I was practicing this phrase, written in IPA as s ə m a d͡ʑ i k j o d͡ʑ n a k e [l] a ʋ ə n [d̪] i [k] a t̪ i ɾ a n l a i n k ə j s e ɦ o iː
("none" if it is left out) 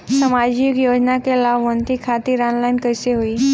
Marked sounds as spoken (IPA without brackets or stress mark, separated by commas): l, t̪, kʰ